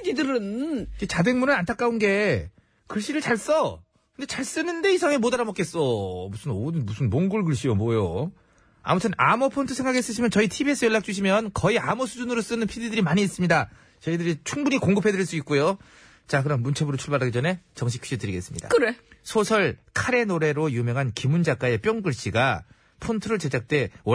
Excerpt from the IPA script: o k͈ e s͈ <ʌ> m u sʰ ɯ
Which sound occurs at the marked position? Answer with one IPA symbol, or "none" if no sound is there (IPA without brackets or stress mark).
ʌ